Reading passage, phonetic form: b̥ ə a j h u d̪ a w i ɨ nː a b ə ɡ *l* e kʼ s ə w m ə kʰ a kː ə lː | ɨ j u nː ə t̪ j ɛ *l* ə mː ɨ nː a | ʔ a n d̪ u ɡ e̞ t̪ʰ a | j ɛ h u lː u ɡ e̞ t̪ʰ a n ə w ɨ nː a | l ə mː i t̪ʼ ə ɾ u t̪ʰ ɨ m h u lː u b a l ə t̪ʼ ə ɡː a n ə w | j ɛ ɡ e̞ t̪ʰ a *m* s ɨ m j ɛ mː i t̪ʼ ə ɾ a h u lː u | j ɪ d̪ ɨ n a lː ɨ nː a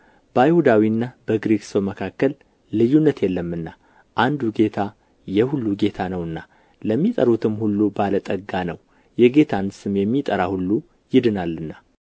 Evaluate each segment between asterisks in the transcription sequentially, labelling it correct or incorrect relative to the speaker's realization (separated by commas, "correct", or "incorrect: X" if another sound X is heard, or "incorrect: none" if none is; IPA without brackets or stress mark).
incorrect: ɾ, incorrect: lː, incorrect: n